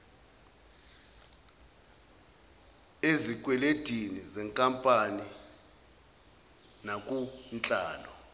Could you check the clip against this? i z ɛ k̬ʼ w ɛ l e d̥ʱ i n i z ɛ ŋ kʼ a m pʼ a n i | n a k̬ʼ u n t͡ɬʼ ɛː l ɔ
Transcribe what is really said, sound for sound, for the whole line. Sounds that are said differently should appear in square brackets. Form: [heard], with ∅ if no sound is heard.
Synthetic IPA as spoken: [e] z [i] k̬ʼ w ɛ l e d̥ʱ i n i z ɛ ŋ kʼ a m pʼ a n i | n a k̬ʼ u n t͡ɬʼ [aː] l ɔ